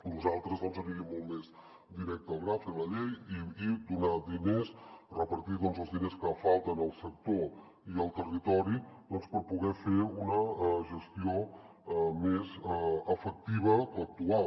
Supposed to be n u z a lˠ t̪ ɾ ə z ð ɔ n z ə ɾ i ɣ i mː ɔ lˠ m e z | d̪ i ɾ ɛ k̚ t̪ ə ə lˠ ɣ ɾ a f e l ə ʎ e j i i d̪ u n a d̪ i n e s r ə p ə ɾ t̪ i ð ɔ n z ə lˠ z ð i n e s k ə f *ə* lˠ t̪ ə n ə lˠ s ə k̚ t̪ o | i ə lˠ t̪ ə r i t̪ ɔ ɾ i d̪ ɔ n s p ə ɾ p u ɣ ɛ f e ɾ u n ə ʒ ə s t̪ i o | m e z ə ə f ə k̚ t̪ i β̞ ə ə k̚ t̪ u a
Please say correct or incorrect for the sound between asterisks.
incorrect: a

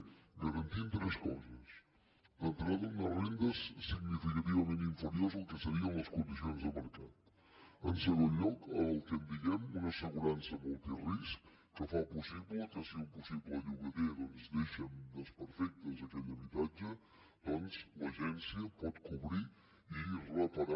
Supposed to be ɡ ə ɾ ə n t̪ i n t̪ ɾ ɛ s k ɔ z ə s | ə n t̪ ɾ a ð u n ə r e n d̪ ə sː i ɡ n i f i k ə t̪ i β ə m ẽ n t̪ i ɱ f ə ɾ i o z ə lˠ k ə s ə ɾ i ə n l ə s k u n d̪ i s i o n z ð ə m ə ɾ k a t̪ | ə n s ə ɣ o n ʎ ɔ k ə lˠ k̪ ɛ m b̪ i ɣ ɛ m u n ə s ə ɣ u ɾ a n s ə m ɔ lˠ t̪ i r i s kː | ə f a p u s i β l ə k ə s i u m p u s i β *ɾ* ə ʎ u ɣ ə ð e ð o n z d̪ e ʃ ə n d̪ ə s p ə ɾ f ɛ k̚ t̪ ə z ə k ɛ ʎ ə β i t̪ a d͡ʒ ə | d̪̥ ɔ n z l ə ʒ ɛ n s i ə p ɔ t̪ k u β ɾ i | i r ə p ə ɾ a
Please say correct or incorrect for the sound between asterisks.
incorrect: l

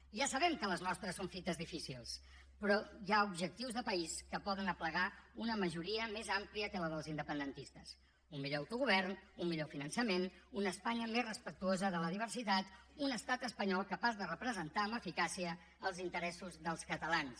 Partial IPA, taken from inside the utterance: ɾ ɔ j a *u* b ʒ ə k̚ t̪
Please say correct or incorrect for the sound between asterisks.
correct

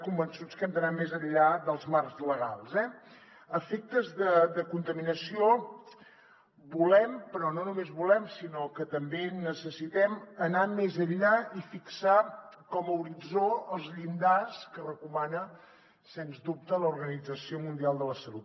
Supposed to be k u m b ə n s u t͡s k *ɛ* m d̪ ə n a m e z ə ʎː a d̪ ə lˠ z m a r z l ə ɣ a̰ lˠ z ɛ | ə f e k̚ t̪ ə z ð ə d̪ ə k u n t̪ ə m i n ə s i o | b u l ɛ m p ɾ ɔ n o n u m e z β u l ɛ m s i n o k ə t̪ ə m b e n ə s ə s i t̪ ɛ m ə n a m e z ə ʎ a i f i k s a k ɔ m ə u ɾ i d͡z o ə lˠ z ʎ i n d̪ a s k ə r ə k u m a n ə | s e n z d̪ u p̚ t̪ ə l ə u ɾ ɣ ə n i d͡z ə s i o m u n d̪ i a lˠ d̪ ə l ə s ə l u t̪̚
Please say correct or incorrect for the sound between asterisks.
correct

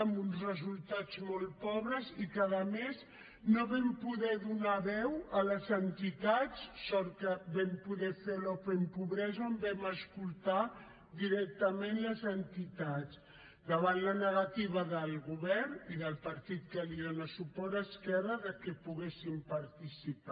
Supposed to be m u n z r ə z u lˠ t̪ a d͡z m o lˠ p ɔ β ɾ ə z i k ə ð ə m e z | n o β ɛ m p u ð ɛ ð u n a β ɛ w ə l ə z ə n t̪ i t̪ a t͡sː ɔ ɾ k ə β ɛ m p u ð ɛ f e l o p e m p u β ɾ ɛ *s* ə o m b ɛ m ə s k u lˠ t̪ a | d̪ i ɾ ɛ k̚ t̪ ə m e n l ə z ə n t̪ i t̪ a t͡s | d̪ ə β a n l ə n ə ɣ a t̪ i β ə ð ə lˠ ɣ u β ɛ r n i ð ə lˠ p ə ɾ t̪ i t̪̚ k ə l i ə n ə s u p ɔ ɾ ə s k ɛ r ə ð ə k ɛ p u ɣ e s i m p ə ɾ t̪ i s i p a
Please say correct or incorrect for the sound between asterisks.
incorrect: z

